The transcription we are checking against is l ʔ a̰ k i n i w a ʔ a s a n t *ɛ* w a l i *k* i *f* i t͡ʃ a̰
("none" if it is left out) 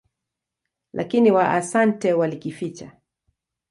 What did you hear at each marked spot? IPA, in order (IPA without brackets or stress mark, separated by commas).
ɛ, k, f